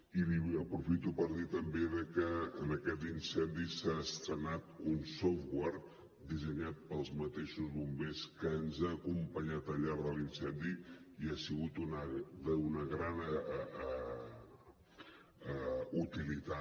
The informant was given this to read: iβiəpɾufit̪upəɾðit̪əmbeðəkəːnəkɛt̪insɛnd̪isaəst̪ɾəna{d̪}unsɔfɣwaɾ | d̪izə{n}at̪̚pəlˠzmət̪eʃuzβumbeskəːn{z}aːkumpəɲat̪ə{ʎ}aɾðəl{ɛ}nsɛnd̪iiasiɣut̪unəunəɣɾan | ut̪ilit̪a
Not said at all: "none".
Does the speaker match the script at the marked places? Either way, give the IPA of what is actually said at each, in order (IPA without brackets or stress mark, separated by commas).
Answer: t̪, ɲ, z, ʎ, i